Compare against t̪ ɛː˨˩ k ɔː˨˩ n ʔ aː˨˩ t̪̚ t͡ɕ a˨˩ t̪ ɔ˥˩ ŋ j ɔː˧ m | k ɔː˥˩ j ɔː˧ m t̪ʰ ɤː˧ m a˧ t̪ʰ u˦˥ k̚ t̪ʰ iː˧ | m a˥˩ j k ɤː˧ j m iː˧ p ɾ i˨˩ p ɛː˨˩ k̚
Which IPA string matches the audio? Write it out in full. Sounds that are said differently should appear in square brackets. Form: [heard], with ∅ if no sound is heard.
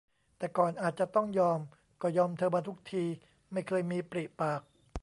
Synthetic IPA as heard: t̪ ɛː˨˩ k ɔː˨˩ n ʔ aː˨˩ t̪̚ t͡ɕ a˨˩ t̪ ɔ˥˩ ŋ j ɔː˧ m | k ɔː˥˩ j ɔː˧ m t̪ʰ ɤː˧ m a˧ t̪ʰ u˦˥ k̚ t̪ʰ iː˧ | m a˥˩ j [kʰ] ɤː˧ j m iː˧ p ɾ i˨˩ p [aː˨˩] k̚